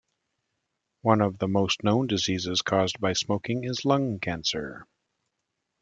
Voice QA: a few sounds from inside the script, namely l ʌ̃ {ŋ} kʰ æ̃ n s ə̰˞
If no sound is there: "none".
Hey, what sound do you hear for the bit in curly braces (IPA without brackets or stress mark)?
ŋ